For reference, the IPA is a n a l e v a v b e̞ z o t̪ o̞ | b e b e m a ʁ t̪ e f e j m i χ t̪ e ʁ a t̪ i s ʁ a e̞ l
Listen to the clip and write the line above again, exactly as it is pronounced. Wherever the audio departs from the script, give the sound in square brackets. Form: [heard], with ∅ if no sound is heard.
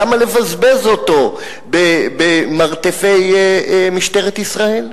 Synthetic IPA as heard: a [m] a l e v a [z] b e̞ z o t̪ o̞ | b e b e m a ʁ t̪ e f e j m i [ʃ] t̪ e ʁ [e] t̪ i s ʁ a e̞ l